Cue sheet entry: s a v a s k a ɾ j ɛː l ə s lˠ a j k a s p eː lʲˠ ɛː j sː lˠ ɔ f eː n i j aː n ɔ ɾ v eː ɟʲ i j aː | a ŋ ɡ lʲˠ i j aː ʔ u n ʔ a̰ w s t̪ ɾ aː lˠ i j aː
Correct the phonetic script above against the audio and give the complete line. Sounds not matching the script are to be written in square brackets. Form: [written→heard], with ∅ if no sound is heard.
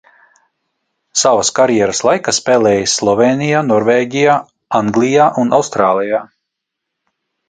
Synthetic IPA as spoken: s a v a s k a ɾ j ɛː [l→ɾ] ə s lˠ a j k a s p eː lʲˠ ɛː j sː lˠ ɔ [f→v] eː n i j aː n ɔ ɾ v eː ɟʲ i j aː | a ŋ ɡ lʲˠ i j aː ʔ u n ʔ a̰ w s t̪ ɾ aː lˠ i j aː